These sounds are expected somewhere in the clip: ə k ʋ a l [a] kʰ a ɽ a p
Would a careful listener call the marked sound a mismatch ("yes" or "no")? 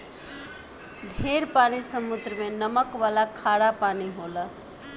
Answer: no